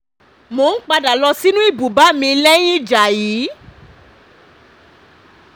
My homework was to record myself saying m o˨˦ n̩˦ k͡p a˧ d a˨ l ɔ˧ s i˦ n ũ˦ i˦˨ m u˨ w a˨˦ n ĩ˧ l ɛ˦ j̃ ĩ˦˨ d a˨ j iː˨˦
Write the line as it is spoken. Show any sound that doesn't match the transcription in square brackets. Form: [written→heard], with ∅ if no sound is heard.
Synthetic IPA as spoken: m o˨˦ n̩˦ k͡p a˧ d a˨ l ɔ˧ s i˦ n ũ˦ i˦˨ [m→b] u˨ [w→b] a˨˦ [n→m] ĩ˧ l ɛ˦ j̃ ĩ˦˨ [d→d͡ʒ] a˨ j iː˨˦